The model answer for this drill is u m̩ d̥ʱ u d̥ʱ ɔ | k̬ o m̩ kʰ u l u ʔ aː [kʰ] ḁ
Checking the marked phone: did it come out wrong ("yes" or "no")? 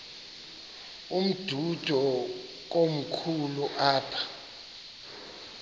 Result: yes